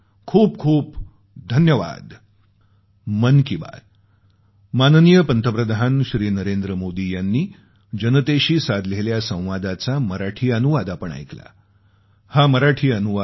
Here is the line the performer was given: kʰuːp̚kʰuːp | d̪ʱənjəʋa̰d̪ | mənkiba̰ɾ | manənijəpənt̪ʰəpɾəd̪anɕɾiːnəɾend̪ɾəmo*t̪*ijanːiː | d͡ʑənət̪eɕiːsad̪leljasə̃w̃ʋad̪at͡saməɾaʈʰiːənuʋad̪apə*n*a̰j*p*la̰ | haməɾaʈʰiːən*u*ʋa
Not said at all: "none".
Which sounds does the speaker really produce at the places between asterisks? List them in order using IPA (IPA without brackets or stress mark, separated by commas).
d̪, ɳ, k, u